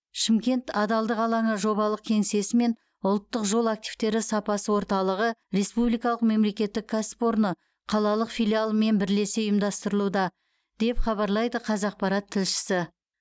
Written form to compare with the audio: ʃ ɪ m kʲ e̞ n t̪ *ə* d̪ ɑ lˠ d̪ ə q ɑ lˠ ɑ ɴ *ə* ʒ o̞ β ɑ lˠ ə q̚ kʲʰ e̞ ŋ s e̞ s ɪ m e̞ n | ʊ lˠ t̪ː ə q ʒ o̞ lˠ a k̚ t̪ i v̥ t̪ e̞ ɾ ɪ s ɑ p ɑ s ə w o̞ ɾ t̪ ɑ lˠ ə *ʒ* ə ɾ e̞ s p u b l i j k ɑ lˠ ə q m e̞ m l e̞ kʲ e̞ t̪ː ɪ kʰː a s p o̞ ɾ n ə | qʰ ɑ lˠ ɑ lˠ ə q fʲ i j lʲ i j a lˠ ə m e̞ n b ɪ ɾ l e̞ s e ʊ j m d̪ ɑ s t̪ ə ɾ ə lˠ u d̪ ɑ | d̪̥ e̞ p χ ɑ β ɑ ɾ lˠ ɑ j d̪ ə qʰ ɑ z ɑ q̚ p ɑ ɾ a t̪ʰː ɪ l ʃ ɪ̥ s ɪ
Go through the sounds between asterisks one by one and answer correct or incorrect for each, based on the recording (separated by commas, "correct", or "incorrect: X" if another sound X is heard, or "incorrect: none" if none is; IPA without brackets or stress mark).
incorrect: ɑ, correct, incorrect: ʁ